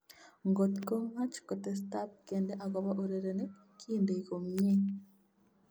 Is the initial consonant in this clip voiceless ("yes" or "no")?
no